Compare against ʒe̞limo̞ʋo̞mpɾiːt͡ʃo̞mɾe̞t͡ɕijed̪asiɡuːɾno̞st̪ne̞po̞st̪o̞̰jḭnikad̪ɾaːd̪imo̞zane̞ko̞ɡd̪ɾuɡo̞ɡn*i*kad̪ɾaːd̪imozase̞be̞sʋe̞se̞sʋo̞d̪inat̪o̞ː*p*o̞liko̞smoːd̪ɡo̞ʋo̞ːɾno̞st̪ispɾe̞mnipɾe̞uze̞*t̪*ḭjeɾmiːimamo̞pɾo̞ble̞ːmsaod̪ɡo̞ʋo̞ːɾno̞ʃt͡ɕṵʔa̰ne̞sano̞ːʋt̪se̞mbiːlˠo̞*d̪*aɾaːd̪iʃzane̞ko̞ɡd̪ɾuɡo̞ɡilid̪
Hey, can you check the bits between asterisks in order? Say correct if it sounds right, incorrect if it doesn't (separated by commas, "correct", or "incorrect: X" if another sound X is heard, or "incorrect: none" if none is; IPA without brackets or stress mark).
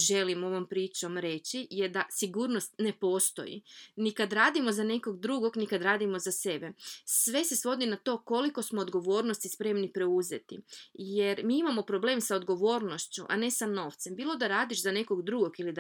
correct, incorrect: k, correct, correct